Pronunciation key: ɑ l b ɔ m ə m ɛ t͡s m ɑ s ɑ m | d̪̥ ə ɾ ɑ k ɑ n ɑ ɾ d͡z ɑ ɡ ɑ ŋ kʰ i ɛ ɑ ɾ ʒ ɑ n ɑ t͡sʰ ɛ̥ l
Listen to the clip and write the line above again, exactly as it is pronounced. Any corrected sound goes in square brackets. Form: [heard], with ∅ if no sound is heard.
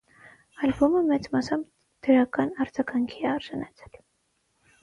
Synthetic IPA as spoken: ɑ l b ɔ m ə m ɛ t͡s m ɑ s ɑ m | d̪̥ ə ɾ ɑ k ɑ n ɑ ɾ d͡z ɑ ɡ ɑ ŋ kʰ i ɛ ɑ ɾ ʒ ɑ n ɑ t͡sʰ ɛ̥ l

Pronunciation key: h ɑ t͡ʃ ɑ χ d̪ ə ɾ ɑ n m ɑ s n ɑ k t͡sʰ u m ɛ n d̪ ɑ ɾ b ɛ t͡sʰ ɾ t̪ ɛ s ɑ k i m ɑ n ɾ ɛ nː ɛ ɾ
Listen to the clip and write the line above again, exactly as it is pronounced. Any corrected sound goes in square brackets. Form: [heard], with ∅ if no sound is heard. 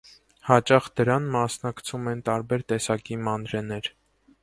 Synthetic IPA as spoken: h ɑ t͡ʃ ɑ χ d̪ ə ɾ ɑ n m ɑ s n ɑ k t͡sʰ u m ɛ n [t̪] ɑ ɾ b ɛ [∅] ɾ t̪ ɛ s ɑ k i m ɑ n ɾ ɛ [n] ɛ ɾ

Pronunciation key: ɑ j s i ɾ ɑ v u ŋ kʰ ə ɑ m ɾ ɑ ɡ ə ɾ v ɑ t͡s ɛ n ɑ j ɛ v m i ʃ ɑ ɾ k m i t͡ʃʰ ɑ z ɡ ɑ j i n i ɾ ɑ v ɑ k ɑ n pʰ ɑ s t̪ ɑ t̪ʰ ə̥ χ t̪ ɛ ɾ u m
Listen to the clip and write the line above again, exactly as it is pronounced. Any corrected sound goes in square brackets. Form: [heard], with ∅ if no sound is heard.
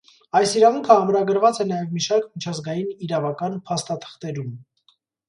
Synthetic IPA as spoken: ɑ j s i ɾ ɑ v u ŋ kʰ ə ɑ m ɾ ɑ ɡ ə ɾ v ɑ t͡s ɛ n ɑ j ɛ v m i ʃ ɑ ɾ k m i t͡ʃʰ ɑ z ɡ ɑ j i n i ɾ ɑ v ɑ k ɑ n pʰ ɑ s t̪ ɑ t̪ʰ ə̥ χ t̪ ɛ ɾ u m

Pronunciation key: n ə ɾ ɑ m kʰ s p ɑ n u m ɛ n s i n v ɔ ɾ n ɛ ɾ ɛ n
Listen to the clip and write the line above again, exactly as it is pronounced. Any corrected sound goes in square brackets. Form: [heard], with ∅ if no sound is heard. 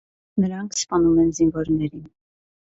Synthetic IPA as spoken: n ə ɾ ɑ [ŋ] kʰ s p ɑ n u m ɛ n [z] i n v ɔ ɾ n ɛ ɾ [i] n

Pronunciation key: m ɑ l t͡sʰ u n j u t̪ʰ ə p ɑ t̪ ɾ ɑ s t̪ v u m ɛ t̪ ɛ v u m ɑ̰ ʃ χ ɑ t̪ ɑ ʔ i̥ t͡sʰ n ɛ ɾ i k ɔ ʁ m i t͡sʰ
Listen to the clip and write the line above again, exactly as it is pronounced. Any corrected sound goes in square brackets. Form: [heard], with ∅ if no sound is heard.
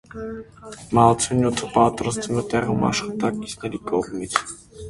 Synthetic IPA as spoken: m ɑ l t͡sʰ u n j u t̪ʰ ə p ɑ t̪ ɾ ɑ s t̪ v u m ɛ t̪ ɛ [ʁ] u m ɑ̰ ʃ χ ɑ t̪ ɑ [k] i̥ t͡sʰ n ɛ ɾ i k ɔ ʁ m i t͡sʰ

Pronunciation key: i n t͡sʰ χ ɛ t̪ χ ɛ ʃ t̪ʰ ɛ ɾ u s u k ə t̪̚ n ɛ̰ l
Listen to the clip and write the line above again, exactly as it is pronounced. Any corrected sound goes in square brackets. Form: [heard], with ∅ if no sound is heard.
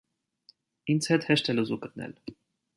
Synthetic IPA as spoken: i n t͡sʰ [h] ɛ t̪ [h] ɛ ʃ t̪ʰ ɛ [l] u [z] u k ə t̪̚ n ɛ̰ l

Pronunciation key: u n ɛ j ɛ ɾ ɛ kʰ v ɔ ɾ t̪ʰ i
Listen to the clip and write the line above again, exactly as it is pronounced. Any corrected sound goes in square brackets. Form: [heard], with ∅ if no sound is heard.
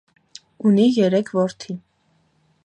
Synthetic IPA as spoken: u n [i] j ɛ ɾ ɛ kʰ v ɔ ɾ t̪ʰ i

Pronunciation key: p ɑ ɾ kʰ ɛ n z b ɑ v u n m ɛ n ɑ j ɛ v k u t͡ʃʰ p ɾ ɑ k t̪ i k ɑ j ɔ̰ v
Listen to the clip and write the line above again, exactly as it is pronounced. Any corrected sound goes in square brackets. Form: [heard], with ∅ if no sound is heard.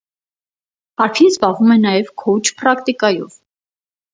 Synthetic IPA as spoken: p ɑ ɾ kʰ [i] n z b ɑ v u [∅] m ɛ n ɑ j ɛ v [kʰ] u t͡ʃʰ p ɾ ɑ k t̪ i k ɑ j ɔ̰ v

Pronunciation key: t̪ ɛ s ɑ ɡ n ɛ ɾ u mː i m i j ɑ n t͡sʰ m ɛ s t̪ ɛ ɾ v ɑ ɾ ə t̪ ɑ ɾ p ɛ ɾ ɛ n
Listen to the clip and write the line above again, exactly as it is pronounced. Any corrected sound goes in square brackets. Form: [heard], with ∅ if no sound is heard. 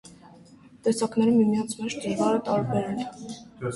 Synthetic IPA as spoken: t̪ ɛ s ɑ [k] n ɛ ɾ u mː i m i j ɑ n t͡sʰ m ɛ [ʃ] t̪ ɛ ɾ v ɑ ɾ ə t̪ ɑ ɾ [b] ɛ ɾ ɛ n

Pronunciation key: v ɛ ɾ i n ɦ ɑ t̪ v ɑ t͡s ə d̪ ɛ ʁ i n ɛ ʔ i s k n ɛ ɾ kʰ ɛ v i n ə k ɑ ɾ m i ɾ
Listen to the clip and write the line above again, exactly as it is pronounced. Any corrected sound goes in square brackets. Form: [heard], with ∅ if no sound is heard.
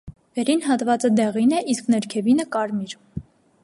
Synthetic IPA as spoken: v ɛ ɾ i n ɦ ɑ t̪ v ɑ t͡s ə d̪ ɛ ʁ i n ɛ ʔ i s k n ɛ ɾ kʰ ɛ v i n ə k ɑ ɾ m i ɾ

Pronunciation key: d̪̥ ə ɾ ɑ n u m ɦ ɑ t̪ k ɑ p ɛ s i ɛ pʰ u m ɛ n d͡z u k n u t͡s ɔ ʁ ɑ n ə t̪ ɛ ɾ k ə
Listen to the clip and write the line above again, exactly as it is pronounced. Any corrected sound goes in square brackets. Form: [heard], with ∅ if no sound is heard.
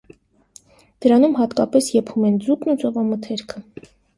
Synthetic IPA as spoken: d̪̥ ə ɾ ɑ n u m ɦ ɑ t̪ k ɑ p ɛ s [j] ɛ pʰ u m ɛ n d͡z u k n u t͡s ɔ [v] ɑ [m] ə [t̪ʰ] ɛ ɾ [kʰ] ə

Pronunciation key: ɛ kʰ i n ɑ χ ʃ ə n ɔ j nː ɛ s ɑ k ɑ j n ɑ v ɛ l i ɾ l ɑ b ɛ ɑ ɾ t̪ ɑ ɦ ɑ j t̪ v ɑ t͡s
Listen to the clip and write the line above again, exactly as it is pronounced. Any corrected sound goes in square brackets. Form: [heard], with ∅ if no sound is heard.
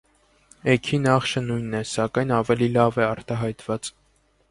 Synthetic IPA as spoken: ɛ kʰ i n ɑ χ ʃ ə n [u] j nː ɛ s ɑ k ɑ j n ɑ v ɛ l i [∅] l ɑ [v] ɛ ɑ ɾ t̪ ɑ ɦ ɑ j t̪ v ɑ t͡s

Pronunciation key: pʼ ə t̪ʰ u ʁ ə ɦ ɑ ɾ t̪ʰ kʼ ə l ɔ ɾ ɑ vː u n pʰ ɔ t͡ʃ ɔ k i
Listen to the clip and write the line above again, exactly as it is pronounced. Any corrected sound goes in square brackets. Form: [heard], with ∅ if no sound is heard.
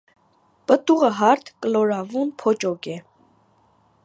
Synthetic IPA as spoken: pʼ ə [t̪] u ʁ ə ɦ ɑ ɾ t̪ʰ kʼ ə l ɔ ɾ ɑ [v] u n pʰ ɔ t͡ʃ ɔ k [ɛ]

